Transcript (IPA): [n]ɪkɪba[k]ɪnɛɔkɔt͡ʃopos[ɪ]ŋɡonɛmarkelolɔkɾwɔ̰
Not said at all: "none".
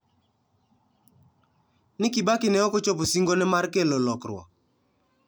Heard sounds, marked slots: n, k, i

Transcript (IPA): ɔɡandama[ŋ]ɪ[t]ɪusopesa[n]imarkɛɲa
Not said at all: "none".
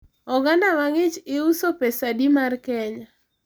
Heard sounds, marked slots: ŋ, t͡ʃ, d

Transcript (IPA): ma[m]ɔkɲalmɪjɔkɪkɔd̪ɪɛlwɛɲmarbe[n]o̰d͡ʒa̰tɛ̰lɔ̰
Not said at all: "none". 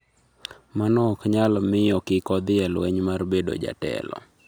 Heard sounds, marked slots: n, d

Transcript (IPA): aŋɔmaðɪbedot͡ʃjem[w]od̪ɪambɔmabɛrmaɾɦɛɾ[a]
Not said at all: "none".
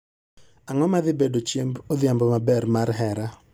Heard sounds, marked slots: b, a

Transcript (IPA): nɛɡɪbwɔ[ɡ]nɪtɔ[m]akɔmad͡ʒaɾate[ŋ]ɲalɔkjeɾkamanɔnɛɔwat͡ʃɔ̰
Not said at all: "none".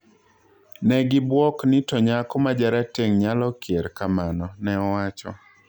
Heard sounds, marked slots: k, ɲ, ŋ

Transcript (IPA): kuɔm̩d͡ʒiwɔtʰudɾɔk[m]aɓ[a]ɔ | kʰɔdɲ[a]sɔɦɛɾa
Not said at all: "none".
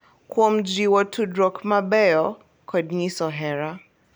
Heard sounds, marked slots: m, ɛ, i

